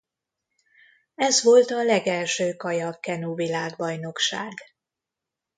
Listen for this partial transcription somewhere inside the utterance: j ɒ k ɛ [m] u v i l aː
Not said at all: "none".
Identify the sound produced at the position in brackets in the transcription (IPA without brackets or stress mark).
n